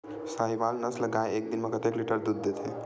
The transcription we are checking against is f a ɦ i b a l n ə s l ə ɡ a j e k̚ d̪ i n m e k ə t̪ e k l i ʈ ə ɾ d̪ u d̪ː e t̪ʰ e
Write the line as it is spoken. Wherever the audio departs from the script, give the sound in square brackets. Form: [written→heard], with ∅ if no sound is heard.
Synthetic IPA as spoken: [f→s] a ɦ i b a l n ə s l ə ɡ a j e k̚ d̪ i n m e k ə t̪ e k l i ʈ ə ɾ d̪ u d̪ː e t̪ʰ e